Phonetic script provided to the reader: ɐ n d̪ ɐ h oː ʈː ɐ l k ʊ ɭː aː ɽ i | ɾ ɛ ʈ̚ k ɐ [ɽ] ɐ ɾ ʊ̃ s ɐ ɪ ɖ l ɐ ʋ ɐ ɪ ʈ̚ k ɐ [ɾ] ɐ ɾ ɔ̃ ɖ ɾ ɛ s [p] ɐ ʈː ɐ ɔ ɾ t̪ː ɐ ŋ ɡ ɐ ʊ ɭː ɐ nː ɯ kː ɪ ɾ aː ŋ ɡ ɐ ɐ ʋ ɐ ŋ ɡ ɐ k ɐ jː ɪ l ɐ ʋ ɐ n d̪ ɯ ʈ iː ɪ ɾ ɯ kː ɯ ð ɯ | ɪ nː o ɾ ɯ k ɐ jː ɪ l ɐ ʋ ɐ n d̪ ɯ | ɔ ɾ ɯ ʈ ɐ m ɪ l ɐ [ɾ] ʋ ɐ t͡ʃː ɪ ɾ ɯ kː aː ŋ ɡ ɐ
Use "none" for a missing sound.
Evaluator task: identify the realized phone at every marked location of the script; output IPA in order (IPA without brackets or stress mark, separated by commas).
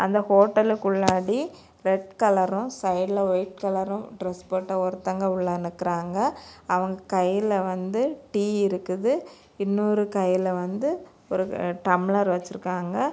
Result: l, l, p, ɾ